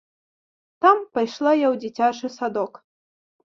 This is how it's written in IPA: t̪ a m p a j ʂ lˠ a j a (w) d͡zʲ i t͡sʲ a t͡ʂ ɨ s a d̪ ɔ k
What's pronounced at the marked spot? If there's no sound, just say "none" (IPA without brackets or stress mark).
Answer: w